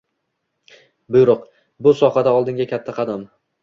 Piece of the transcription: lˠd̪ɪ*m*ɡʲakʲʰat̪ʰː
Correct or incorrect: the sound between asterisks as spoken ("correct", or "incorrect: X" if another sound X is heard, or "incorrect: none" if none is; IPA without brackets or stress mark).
incorrect: ŋ